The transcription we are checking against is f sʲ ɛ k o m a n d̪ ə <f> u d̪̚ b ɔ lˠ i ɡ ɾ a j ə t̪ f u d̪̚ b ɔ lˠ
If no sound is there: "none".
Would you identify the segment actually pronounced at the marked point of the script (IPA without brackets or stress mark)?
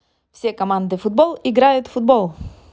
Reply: f